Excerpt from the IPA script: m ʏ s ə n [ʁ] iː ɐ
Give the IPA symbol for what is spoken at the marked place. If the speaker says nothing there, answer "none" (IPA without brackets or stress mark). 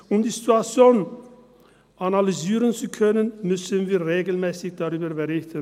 v